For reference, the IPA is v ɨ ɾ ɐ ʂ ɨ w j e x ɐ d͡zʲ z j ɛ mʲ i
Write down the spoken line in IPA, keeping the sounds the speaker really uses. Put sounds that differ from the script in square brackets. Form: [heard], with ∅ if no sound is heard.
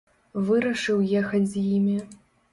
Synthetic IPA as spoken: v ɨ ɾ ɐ ʂ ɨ w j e x ɐ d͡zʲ z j [i] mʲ i